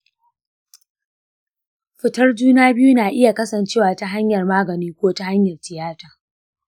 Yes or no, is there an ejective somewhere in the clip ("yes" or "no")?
no